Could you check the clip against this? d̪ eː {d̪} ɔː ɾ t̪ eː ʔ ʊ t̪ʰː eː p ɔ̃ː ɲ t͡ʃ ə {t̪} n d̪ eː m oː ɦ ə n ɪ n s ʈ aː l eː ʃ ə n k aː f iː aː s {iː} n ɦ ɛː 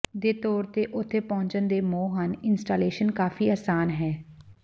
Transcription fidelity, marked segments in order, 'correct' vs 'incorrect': incorrect: t̪, incorrect: none, incorrect: aː

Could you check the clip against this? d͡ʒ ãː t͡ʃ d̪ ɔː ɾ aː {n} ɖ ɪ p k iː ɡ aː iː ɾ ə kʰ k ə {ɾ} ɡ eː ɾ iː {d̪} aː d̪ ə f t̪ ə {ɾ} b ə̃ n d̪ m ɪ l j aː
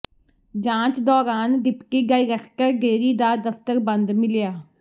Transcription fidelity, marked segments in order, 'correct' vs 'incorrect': correct, correct, correct, correct

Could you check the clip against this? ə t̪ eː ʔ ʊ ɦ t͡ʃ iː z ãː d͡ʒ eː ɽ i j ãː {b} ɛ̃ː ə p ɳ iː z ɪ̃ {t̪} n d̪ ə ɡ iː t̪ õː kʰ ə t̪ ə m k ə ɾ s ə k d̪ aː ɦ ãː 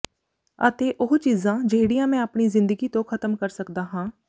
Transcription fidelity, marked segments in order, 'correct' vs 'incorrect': incorrect: m, incorrect: none

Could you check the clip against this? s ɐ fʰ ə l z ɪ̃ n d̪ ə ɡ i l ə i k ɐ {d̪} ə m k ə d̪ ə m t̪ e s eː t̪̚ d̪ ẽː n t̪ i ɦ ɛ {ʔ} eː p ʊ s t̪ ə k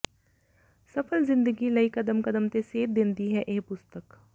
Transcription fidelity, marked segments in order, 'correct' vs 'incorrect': correct, correct

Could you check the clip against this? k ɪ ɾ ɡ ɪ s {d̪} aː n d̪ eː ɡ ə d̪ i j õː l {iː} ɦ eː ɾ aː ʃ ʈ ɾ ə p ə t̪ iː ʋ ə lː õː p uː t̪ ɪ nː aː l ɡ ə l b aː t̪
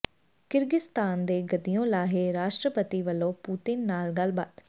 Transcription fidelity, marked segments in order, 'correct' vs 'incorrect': incorrect: t̪, incorrect: aː

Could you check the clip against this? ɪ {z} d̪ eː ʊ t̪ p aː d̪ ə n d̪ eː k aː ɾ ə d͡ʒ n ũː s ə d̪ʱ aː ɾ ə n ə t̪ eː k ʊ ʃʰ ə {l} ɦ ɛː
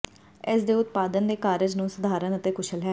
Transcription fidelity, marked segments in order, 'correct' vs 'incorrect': incorrect: s, correct

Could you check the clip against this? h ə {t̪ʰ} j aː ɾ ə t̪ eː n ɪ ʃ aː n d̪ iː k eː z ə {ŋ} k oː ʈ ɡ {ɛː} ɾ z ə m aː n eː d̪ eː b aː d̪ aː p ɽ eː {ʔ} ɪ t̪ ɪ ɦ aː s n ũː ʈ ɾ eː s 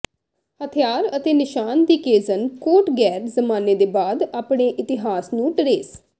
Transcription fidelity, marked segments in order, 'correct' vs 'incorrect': correct, incorrect: n, correct, correct

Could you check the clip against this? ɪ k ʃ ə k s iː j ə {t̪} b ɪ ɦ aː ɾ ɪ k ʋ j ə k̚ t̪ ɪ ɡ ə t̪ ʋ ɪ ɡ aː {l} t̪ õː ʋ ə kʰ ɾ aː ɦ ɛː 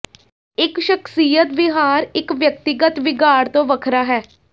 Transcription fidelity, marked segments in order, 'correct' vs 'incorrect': correct, incorrect: ɾ

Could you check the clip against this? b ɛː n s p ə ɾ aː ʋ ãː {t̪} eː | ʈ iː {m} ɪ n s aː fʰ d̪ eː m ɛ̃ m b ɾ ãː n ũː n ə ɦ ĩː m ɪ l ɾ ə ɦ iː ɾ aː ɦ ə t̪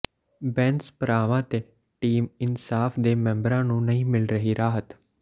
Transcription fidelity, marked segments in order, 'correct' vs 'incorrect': correct, correct

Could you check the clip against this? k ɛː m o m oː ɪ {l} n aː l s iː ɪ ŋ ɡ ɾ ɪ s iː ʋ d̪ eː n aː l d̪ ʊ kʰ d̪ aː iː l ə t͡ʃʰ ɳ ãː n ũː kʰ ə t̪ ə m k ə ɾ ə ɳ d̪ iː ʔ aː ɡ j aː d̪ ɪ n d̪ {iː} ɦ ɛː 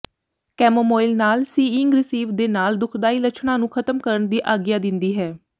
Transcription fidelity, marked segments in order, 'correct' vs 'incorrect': correct, correct

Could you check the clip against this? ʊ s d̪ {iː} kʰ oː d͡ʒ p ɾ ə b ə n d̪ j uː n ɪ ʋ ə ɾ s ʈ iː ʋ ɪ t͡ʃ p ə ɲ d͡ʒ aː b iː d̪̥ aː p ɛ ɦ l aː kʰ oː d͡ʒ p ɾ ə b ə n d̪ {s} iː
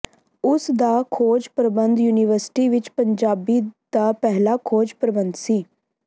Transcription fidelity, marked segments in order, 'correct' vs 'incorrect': incorrect: aː, correct

